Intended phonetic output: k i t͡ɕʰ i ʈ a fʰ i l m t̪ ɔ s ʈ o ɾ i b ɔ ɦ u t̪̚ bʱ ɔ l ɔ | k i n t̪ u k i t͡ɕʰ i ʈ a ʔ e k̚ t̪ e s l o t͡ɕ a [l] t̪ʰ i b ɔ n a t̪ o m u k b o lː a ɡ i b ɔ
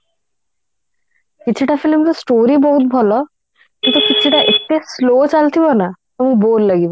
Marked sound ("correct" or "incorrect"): correct